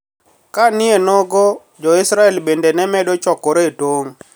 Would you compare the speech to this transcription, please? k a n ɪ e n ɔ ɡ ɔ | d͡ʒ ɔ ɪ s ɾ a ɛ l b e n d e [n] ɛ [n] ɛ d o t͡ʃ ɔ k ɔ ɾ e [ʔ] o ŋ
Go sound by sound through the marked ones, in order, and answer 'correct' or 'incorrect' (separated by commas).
correct, incorrect, incorrect